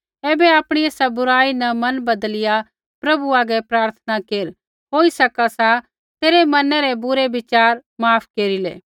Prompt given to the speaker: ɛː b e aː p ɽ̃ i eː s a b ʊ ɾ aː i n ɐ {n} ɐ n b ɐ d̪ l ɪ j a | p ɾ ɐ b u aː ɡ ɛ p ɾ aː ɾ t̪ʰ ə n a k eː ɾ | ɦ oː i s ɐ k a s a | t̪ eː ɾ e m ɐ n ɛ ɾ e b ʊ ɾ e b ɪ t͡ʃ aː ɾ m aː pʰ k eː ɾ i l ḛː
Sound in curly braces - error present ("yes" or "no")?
yes